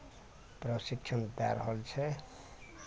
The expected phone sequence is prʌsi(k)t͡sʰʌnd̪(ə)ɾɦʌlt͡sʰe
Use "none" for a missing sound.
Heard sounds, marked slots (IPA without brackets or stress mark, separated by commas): k, a